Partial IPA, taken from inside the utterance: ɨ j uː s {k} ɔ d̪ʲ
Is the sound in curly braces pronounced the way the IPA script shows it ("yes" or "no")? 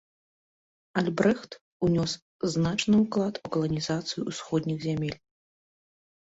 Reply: no